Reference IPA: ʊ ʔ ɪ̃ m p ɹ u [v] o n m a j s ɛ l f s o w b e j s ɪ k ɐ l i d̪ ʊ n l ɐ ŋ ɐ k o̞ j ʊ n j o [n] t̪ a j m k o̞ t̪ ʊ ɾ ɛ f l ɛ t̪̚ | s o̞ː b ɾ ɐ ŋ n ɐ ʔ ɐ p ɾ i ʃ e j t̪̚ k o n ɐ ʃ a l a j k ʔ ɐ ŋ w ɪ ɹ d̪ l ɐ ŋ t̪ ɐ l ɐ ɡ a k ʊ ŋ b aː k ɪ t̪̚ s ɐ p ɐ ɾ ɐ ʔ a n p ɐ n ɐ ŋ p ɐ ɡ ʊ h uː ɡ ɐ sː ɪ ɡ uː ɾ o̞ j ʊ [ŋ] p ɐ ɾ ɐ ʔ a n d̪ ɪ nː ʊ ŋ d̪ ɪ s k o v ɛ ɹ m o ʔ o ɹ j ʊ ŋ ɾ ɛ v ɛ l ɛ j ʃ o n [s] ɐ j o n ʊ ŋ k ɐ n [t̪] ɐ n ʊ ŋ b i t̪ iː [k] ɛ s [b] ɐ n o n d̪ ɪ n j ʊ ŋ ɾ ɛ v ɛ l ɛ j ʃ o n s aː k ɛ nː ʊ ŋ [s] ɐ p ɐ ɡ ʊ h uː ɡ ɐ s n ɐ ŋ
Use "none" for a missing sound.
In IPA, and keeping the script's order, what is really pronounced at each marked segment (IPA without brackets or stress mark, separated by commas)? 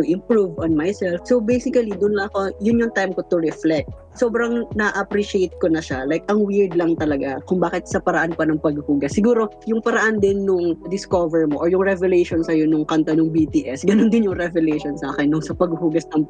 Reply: v, ŋ, ŋ, s, t̪, ʔ, ɡ, s